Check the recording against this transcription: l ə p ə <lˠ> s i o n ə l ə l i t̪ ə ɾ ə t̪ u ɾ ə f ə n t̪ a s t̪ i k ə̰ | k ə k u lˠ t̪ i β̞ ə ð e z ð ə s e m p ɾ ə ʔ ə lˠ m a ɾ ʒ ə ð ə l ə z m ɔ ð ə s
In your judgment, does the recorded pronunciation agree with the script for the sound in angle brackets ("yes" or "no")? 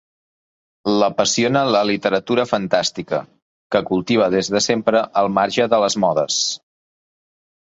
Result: no